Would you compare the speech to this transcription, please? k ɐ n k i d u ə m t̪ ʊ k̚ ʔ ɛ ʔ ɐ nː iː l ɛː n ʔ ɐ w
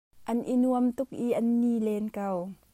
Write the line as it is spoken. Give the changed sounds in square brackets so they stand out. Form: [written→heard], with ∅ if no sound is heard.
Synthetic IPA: [k→ʔ] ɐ n [k→ʔ] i [d→n] u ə m t̪ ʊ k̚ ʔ [ɛ→i] ʔ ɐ nː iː l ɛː n [ʔ→k] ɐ w